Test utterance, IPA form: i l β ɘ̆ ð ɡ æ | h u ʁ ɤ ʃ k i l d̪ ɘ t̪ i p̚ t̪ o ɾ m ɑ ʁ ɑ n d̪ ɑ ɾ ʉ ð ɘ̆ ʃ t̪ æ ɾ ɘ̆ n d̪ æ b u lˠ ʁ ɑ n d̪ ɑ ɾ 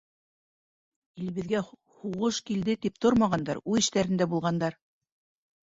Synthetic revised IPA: i l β ɘ̆ ð ɡ æ | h u ʁ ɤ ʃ k i l d̪ ɘ t̪ i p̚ t̪ o ɾ m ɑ ʁ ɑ n d̪ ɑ ɾ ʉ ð ɘ̆ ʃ t̪ æ ɾ ɘ̆ n d̪ æ b u lˠ ʁ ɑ n d̪ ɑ ɾ